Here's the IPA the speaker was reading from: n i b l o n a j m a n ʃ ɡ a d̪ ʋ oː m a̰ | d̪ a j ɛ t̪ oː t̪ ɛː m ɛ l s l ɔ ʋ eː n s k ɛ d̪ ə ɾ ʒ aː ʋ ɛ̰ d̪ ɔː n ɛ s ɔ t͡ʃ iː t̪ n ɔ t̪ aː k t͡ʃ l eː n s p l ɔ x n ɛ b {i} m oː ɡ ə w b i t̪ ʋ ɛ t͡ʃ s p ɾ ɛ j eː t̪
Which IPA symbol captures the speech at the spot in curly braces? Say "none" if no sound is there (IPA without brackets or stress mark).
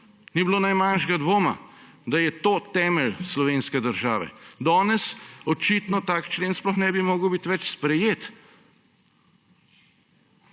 i